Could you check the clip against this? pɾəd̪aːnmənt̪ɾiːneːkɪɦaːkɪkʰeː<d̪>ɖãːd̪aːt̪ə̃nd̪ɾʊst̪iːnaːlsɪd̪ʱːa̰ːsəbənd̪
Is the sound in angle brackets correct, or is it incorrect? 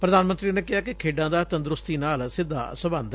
incorrect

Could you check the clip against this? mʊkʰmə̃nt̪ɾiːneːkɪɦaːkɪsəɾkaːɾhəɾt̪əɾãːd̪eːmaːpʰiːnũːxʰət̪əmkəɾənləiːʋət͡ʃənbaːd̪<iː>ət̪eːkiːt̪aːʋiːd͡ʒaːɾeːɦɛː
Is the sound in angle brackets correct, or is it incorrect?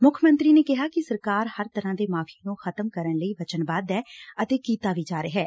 incorrect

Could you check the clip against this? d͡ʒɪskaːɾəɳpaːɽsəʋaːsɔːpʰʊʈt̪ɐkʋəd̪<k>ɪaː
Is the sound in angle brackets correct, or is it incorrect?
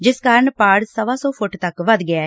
incorrect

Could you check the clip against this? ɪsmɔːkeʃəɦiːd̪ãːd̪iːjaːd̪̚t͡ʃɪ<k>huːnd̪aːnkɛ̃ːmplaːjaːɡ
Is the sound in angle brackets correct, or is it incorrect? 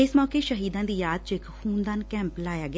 correct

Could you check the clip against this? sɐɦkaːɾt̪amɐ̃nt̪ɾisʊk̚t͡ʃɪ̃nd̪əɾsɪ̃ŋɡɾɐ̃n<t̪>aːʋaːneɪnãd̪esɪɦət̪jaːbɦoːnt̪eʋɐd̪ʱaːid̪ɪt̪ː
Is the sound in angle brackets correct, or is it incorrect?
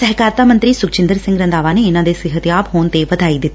incorrect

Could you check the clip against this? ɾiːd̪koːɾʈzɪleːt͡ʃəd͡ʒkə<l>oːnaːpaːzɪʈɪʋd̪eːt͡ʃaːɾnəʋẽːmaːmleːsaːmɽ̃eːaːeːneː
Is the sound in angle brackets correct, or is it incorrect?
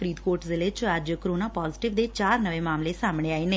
incorrect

